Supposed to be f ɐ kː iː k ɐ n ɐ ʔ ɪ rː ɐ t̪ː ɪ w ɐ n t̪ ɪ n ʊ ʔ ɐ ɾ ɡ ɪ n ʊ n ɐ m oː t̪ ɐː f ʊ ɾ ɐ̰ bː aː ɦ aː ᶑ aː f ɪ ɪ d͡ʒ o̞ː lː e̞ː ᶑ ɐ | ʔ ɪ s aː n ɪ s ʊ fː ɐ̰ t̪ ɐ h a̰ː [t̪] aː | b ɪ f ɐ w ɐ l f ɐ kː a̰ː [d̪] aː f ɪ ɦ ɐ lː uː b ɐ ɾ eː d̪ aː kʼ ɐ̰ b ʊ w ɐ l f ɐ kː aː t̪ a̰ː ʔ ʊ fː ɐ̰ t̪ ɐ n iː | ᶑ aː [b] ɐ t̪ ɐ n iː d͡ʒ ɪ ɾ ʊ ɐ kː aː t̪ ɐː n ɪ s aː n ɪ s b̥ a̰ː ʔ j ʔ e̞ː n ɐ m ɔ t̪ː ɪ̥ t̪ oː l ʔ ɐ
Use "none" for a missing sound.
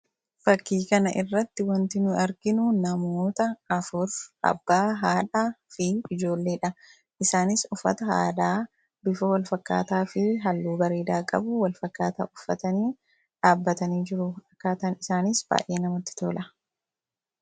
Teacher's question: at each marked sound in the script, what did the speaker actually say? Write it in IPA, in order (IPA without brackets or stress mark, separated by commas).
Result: d̪, t̪, bː